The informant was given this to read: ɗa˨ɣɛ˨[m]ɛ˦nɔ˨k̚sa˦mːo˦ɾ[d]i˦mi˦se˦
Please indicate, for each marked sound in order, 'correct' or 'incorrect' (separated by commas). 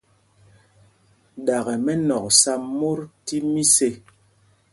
correct, incorrect